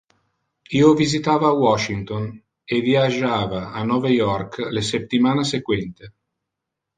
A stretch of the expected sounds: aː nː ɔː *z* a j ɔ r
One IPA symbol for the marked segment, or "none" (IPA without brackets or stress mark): v